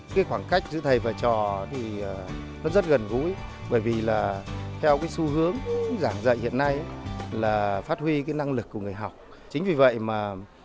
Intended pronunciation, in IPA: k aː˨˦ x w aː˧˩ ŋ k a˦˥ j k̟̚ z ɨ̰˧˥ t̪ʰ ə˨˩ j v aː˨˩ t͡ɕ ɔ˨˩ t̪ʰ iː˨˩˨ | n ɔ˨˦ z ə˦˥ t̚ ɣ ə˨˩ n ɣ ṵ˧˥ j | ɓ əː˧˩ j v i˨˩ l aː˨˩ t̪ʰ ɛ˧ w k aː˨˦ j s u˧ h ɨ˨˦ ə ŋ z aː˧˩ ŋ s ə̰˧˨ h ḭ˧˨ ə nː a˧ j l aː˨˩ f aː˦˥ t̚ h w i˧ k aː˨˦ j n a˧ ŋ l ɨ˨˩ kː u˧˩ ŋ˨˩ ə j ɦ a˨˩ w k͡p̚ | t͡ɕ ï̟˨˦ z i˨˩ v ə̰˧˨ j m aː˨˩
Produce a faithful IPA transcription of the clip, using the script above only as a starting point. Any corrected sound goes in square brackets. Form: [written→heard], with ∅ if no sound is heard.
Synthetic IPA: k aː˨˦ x w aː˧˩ ŋ k a˦˥ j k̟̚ z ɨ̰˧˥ t̪ʰ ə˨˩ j v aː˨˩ t͡ɕ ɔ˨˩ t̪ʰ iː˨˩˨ | n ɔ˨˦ z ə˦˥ t̚ ɣ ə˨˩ n ɣ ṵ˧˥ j | ɓ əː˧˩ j v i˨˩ l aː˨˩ t̪ʰ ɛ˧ w k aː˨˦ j s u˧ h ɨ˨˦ ə ŋ z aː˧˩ ŋ [s→z] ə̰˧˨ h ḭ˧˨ ə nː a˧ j l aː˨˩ f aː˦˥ t̚ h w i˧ k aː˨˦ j n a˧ ŋ l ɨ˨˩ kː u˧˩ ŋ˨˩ ə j ɦ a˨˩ w k͡p̚ | t͡ɕ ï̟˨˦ [z→v] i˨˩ v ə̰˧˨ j m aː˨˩

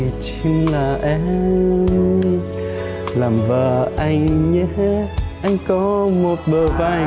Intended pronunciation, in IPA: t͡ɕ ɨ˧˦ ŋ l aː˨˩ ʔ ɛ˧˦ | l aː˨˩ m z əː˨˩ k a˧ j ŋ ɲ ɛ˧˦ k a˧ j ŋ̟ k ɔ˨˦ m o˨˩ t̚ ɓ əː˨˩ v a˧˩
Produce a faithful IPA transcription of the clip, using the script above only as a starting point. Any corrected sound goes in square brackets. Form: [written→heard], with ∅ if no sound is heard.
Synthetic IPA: t͡ɕ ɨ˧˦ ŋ l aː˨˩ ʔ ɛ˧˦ | l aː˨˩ m [z→v] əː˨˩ [k→ʔ] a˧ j ŋ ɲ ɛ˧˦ [k→ʔ] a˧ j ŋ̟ k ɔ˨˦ m o˨˩ t̚ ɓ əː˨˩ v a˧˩

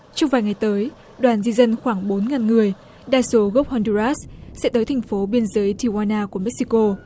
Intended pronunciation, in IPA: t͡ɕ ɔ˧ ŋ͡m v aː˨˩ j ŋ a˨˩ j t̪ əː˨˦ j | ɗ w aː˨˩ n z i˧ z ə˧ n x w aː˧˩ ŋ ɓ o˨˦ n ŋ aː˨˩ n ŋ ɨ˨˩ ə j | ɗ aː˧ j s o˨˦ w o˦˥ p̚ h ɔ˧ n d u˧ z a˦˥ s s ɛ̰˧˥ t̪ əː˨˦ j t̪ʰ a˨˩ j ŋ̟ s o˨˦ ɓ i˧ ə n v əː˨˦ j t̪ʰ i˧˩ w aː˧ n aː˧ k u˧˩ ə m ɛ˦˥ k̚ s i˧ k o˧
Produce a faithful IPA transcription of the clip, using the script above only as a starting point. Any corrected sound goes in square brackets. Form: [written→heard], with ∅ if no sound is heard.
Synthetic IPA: t͡ɕ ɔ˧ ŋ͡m v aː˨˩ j ŋ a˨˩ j t̪ əː˨˦ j | ɗ w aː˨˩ n z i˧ z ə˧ n x w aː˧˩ ŋ ɓ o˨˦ n ŋ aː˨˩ n ŋ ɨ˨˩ ə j | ɗ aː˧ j s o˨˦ [w→ɣ] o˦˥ p̚ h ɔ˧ n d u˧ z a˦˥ s s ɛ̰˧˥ t̪ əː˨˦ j t̪ʰ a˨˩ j ŋ̟ [s→f] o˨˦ ɓ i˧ ə n [v→z] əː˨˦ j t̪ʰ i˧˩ w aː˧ n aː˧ k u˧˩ ə m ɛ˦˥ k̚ s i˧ k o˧

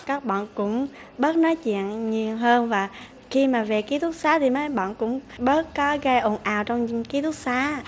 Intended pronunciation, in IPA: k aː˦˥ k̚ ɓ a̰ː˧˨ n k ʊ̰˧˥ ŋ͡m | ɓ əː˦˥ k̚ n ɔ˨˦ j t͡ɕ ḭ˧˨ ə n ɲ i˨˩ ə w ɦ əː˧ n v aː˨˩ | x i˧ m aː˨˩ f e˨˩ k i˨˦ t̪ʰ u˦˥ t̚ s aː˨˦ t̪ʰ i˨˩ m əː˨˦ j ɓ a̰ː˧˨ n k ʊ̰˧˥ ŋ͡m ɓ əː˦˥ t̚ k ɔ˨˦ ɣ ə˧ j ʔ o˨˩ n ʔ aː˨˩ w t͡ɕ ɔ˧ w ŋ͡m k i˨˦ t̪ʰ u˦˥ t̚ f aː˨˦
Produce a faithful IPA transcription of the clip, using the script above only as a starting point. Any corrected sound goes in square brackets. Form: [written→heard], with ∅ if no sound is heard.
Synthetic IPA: k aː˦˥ k̚ ɓ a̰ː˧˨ n k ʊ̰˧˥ ŋ͡m | ɓ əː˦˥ [k̚→t̚] n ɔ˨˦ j t͡ɕ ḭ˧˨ ə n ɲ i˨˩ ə w ɦ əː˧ n v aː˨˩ | x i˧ m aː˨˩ [f→v] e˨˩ k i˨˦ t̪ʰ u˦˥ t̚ s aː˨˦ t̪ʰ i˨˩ m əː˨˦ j ɓ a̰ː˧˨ n k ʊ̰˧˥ ŋ͡m ɓ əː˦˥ t̚ k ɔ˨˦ ɣ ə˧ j ʔ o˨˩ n ʔ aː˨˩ w t͡ɕ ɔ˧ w ŋ͡m k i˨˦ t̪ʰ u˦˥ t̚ [f→s] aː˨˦

